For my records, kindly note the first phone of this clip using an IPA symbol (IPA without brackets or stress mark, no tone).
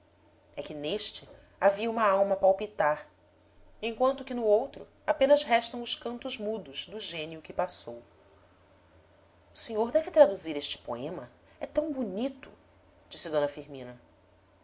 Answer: ɛ